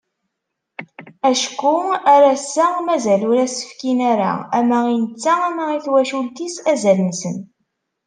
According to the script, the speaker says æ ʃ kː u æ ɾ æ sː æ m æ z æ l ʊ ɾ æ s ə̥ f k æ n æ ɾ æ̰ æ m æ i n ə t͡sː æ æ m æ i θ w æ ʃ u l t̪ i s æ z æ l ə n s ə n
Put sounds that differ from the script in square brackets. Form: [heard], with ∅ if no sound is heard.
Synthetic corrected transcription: æ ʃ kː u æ ɾ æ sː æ m æ z æ l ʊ ɾ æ s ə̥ f k [i] n æ ɾ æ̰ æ m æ i n ə t͡sː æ æ m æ i θ w æ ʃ u l t̪ i s æ z æ l ə n s ə n